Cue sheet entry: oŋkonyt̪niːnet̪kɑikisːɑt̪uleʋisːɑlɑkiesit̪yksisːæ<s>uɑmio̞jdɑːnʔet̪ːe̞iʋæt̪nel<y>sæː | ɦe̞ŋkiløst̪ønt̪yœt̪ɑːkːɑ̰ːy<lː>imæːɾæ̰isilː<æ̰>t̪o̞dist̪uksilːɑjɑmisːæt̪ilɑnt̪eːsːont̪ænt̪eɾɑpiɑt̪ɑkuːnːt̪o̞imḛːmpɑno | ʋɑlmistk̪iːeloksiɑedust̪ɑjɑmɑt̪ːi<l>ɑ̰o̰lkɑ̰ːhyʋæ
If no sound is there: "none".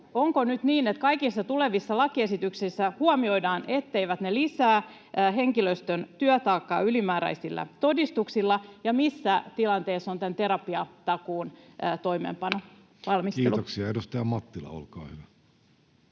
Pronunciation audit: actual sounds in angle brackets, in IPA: h, i, l, æ̰, l

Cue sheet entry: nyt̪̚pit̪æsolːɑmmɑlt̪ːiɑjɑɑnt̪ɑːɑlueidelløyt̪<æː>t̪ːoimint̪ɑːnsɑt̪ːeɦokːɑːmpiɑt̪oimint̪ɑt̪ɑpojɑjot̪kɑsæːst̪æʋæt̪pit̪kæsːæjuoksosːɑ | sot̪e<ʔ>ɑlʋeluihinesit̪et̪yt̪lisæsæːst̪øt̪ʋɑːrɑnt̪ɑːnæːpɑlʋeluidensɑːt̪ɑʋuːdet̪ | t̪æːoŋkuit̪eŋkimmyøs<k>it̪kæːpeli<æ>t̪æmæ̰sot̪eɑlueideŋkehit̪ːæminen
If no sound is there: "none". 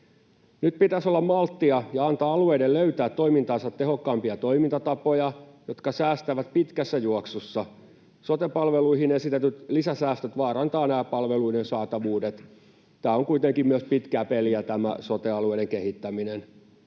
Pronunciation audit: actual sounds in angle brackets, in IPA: æː, p, p, æ

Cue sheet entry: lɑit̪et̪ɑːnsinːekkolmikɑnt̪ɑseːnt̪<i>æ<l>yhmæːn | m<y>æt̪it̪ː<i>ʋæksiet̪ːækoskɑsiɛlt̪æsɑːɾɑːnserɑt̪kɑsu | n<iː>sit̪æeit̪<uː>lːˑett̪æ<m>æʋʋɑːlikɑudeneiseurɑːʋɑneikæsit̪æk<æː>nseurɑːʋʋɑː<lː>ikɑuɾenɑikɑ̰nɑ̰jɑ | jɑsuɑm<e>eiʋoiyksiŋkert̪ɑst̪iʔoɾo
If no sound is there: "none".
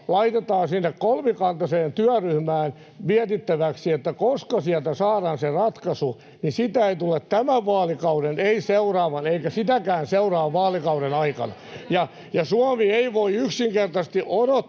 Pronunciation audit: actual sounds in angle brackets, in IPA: y, r, i, æ, i, u, m, æː, l, i

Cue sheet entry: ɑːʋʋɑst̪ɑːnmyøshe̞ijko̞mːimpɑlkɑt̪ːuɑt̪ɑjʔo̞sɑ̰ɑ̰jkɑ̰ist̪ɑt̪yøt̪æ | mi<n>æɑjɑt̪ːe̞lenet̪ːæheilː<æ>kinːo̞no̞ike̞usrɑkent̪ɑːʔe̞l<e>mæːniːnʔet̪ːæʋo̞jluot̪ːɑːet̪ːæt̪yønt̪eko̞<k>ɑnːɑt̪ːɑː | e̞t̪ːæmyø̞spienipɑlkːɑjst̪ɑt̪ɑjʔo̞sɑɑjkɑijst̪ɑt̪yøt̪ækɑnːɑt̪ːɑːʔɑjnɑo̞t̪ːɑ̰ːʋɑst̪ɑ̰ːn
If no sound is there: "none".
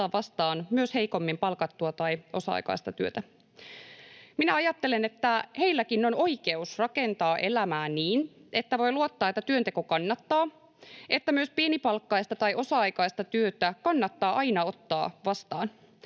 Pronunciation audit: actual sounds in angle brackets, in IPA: n, æ, æ, k

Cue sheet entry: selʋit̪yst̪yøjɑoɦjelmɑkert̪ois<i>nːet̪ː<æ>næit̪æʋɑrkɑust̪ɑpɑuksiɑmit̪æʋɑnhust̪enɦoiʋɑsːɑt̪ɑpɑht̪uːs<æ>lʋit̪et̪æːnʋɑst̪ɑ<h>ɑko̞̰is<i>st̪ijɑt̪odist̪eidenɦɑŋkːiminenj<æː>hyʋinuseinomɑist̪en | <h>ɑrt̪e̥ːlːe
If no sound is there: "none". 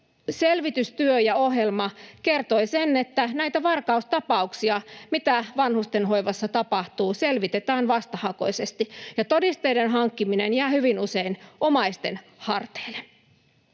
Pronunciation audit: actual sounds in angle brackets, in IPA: e, æ, e, h, e, æː, h

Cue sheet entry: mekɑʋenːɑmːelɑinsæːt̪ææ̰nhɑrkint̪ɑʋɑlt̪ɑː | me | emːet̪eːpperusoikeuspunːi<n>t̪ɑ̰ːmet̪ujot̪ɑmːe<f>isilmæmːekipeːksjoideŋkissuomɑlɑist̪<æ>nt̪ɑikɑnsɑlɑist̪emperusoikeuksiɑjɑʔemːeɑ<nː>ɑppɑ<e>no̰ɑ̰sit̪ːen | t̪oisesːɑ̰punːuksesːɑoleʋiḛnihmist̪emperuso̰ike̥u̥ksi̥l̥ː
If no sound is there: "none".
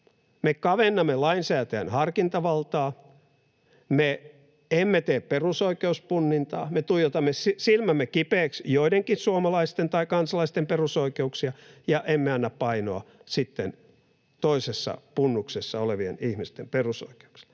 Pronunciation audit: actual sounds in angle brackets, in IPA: n, s, e, nː, i

